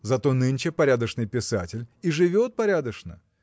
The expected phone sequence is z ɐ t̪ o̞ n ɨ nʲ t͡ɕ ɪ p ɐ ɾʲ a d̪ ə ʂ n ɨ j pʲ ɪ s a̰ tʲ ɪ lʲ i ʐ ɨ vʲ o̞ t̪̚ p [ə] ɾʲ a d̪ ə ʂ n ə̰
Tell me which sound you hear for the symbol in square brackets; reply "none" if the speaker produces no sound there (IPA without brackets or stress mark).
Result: ɐ